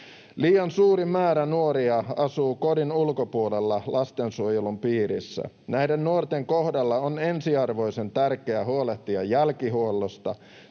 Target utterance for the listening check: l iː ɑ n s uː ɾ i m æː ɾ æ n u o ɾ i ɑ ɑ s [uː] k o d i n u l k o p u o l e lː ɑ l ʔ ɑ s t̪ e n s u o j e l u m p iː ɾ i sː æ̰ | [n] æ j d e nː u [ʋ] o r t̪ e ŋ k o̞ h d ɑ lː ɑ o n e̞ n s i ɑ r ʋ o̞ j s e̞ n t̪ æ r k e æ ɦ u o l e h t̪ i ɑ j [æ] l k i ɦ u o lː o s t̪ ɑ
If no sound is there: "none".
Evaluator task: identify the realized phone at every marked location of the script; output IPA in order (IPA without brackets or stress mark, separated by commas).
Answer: uː, n, none, æ